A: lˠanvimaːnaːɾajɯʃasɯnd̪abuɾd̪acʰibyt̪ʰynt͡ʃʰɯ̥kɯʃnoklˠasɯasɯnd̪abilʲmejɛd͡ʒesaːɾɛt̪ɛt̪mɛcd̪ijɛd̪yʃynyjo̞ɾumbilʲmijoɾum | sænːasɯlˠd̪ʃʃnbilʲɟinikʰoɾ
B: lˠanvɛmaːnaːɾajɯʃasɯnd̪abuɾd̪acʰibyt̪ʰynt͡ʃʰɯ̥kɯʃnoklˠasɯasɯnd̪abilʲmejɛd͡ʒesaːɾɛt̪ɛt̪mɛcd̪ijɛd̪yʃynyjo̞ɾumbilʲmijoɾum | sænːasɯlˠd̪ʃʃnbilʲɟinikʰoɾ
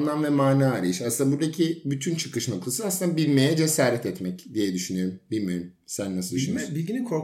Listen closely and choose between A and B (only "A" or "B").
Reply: B